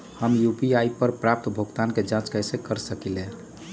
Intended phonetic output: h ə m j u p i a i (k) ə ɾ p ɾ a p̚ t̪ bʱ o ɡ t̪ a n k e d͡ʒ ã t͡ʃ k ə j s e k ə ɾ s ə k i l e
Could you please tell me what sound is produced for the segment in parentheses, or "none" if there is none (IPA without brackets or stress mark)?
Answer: p